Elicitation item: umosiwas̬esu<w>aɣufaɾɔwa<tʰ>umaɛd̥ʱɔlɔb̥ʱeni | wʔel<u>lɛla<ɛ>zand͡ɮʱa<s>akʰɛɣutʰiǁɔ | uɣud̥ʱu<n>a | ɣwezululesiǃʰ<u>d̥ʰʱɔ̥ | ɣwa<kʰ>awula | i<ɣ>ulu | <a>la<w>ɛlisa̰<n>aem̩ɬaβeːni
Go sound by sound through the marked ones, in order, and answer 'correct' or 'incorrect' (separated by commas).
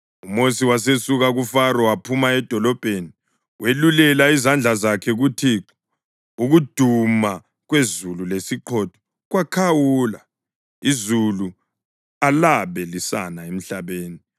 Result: incorrect, incorrect, correct, incorrect, incorrect, incorrect, incorrect, correct, incorrect, correct, incorrect, correct